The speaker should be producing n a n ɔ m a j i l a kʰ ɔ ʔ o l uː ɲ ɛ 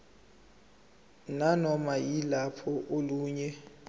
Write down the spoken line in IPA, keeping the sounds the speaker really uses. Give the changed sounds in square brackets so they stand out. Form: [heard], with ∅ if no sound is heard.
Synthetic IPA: n a n ɔ m a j i l a [pʰ] ɔ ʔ o l uː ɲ ɛ